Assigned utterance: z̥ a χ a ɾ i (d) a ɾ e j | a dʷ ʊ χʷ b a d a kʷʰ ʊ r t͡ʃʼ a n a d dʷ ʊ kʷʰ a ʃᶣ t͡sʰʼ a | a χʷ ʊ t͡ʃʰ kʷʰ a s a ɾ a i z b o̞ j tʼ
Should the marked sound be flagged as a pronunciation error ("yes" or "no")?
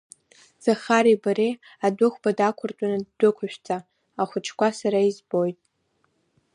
yes